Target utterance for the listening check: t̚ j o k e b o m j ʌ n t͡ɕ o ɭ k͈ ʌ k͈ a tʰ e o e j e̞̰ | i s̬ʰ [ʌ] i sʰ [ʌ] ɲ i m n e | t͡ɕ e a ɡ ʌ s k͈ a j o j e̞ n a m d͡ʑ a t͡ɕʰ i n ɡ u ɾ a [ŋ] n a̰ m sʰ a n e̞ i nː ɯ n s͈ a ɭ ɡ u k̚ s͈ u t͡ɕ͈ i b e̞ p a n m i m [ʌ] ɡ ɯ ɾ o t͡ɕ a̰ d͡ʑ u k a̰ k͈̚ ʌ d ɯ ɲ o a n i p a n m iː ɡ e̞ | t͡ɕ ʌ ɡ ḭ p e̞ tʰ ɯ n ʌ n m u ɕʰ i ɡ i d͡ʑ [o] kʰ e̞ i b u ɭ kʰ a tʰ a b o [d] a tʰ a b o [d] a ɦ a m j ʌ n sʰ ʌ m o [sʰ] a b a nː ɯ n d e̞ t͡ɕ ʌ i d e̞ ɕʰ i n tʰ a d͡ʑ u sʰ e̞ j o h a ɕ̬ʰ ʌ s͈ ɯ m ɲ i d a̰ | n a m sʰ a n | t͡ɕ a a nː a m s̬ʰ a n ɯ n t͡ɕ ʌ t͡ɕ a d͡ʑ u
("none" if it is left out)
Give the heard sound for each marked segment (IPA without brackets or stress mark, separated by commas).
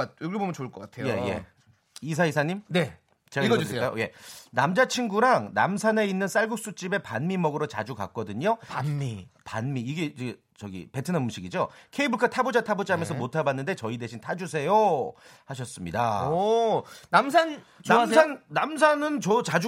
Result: a, a, ŋ, ʌ, o, d͡ʑ, d͡ʑ, tʰ